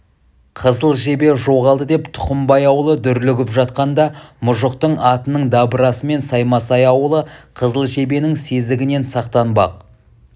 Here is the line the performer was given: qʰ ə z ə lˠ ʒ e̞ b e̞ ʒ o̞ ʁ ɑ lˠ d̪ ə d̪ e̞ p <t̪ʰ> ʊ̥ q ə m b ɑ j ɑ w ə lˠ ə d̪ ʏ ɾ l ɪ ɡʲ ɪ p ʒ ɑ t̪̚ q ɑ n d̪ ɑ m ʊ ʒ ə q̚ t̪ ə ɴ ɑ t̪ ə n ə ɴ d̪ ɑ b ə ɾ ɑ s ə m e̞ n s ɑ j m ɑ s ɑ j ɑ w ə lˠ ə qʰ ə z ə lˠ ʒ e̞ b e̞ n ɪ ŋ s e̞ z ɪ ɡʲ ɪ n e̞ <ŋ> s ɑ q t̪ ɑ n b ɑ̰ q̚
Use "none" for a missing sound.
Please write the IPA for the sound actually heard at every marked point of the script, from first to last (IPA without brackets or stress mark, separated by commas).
t̪ʰ, n